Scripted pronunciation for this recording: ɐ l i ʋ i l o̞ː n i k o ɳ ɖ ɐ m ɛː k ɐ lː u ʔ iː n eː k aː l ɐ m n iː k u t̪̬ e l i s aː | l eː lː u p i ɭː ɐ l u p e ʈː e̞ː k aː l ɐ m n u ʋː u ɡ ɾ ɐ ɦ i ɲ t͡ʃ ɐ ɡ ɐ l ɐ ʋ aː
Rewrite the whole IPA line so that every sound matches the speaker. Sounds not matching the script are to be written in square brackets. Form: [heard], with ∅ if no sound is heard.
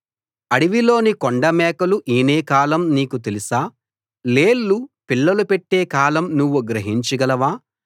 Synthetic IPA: ɐ [ɽ] i ʋ i l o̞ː n i k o ɳ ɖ ɐ m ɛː k ɐ [l] u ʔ iː n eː k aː l ɐ m n iː k u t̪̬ e l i s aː | l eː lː u p i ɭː ɐ l u p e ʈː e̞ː k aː l ɐ m n u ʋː u ɡ ɾ ɐ ɦ i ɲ t͡ʃ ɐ ɡ ɐ l ɐ ʋ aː